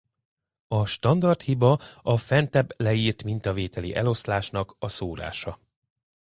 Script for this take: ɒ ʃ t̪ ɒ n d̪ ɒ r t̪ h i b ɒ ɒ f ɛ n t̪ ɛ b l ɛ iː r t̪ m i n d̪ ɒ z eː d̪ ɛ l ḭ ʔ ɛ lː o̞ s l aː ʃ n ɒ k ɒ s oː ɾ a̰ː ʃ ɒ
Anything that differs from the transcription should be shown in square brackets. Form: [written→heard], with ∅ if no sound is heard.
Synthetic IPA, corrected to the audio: ɒ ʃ t̪ ɒ n d̪ ɒ r t̪ h i b ɒ ɒ f ɛ n t̪ ɛ b l ɛ iː r t̪ m i n [d̪→t̪] ɒ [z→v] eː [d̪→t̪] ɛ l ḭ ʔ ɛ [lː→l] o̞ s l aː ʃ n ɒ k ɒ s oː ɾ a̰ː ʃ ɒ